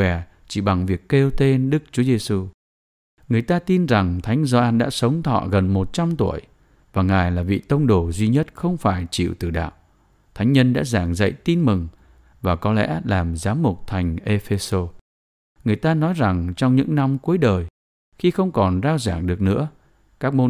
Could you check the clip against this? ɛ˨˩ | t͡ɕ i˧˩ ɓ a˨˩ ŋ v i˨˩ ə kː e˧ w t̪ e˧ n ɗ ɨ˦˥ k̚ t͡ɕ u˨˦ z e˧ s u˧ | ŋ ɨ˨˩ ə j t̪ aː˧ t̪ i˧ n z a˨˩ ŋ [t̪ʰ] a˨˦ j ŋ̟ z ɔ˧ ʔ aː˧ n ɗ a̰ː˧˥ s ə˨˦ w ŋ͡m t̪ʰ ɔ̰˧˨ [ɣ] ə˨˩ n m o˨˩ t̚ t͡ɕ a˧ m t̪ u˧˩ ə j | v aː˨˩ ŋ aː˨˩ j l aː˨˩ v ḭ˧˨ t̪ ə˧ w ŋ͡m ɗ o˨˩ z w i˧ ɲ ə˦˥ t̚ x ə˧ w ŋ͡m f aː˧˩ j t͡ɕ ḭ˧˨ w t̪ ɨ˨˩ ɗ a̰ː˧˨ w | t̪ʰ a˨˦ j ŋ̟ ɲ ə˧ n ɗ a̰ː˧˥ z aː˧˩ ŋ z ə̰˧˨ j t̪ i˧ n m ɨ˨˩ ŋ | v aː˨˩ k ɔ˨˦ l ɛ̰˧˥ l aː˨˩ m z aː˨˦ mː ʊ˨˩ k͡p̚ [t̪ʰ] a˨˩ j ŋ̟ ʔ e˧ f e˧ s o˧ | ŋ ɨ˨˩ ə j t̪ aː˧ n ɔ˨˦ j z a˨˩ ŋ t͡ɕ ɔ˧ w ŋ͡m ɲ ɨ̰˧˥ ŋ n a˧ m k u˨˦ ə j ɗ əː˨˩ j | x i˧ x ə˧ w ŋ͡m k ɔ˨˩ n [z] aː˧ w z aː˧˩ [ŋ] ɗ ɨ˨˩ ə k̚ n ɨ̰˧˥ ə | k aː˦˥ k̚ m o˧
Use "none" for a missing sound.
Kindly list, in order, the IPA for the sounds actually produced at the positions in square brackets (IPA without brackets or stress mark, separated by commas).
t̪ʰ, ɣ, t̪ʰ, z, ŋ